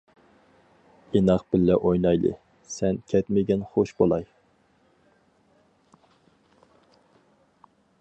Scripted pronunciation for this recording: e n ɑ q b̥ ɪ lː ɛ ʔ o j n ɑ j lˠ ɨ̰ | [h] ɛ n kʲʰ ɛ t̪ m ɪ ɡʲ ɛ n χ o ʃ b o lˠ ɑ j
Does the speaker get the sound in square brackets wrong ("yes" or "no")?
yes